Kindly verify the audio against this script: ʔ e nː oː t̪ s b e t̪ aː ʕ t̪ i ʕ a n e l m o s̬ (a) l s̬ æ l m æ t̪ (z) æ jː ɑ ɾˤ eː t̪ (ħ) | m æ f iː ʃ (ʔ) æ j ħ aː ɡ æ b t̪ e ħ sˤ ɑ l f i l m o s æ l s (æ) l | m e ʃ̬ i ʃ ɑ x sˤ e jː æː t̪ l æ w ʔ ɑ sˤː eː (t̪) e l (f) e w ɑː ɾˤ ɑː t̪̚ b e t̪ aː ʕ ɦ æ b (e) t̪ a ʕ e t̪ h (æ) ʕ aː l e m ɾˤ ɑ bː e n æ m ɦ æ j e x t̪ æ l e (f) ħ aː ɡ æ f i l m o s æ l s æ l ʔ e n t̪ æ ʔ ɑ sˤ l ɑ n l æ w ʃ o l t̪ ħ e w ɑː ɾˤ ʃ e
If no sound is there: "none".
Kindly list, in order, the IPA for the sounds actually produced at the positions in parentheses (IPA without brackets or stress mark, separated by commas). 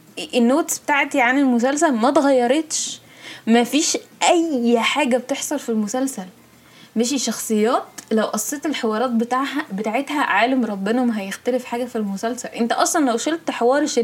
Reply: æ, ɣ, ʃ, ʔ, æ, t̪, ħ, e, æ, f